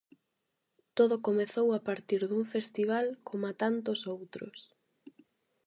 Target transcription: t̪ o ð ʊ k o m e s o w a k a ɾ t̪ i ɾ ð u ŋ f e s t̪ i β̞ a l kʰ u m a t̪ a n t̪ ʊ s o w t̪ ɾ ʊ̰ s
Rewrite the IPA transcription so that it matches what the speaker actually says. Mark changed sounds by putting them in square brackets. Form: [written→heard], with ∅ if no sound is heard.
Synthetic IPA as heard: t̪ o ð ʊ k o m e [s→θ] o w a [k→p] a ɾ t̪ i ɾ ð u ŋ f e s t̪ i β̞ a l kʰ [u→o] m a t̪ a n t̪ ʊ s o w t̪ ɾ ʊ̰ s